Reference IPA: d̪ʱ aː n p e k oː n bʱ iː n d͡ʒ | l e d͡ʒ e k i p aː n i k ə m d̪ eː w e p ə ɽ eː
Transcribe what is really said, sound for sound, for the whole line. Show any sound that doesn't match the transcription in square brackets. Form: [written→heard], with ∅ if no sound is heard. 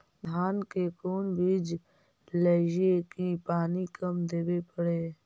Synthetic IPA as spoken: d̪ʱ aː n [p→k] e k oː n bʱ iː [n→∅] d͡ʒ | l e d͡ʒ e k i p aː n i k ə m d̪ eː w e p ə ɽ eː